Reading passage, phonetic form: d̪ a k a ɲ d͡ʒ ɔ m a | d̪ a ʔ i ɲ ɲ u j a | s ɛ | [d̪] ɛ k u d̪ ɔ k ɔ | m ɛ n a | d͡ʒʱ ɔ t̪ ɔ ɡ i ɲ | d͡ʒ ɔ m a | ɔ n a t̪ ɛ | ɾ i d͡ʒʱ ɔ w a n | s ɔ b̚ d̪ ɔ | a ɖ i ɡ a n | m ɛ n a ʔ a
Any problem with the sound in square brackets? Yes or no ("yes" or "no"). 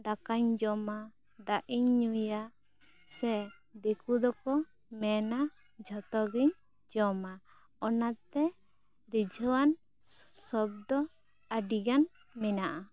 no